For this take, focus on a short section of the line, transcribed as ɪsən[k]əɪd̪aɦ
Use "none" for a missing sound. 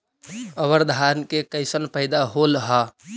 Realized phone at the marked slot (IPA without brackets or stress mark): p